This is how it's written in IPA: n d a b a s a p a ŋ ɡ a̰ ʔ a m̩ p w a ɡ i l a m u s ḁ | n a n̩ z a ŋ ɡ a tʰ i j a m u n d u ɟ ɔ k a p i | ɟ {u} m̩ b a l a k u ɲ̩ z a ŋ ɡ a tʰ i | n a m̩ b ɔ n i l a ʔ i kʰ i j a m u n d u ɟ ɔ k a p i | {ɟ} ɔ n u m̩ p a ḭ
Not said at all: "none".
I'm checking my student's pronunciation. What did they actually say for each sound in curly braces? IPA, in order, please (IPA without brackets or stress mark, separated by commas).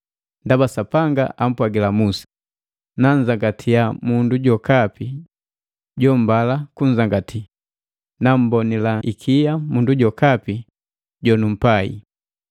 ɔ, ɟ